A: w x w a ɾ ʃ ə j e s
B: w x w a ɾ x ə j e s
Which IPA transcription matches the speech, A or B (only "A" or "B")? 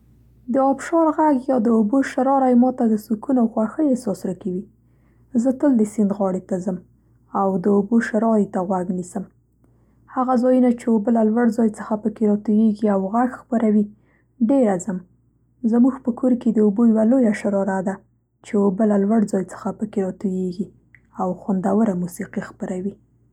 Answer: B